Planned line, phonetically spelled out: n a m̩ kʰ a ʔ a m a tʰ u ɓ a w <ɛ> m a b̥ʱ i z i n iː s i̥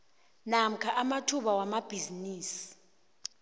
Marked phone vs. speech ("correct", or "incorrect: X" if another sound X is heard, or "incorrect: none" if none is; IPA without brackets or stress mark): incorrect: a